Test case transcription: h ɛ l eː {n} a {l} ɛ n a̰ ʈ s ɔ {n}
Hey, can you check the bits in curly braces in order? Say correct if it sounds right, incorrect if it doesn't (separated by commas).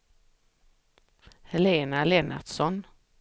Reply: correct, correct, correct